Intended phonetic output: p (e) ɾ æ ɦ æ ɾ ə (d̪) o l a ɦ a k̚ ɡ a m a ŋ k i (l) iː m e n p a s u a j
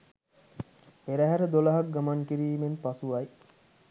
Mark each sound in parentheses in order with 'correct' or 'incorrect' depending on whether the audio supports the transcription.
correct, correct, incorrect: ɾ

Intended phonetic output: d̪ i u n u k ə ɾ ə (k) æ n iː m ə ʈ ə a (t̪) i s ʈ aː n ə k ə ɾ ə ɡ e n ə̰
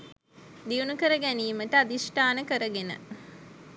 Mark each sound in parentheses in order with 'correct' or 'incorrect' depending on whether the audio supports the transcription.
incorrect: ɡ, incorrect: d̪

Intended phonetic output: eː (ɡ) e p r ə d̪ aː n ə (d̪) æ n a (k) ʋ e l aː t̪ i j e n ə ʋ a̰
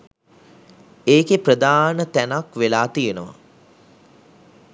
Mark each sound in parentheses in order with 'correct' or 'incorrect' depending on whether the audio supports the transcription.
incorrect: k, incorrect: t̪, correct

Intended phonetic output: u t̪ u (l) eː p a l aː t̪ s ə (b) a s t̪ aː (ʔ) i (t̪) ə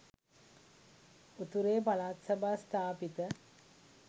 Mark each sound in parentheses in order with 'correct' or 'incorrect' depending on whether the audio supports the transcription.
incorrect: ɾ, correct, incorrect: p, correct

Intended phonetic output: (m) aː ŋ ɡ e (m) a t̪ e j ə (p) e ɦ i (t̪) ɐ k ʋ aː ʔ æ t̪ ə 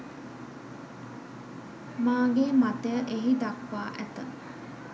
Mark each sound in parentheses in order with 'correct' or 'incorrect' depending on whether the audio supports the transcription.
correct, correct, incorrect: ʔ, incorrect: d̪

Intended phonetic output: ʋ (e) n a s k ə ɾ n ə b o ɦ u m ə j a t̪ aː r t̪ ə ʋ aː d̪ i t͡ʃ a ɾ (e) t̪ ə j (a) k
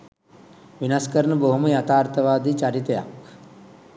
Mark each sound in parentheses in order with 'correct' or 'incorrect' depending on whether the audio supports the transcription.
incorrect: i, incorrect: i, correct

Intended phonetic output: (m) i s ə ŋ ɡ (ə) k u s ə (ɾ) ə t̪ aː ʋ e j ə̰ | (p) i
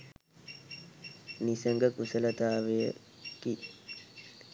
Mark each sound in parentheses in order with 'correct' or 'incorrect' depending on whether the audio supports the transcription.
incorrect: n, correct, incorrect: l, incorrect: k

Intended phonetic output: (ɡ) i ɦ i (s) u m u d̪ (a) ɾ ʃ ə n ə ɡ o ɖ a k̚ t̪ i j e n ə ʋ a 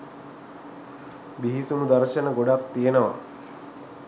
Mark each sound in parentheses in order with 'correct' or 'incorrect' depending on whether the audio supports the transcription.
incorrect: b, correct, correct

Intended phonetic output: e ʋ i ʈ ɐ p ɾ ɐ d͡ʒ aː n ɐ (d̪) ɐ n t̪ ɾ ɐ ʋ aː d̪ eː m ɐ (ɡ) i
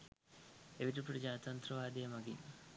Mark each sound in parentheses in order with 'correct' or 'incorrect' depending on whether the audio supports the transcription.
incorrect: t̪, correct

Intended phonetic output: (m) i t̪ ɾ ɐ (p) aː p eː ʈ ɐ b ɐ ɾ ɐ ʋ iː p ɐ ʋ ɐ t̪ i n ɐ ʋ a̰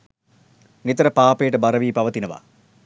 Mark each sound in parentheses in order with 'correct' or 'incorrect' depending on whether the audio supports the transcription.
incorrect: n, correct

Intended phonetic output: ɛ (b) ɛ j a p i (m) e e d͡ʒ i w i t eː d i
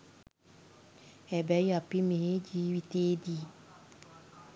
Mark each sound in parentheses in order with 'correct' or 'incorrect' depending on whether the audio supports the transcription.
correct, correct

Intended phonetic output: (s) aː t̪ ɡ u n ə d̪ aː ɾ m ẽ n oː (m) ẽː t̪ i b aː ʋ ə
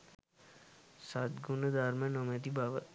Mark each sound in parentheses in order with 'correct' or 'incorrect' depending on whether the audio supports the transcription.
correct, correct

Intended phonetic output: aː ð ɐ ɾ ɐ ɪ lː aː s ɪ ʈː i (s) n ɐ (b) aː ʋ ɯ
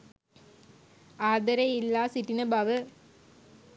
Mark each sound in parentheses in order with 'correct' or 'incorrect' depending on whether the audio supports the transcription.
incorrect: none, correct

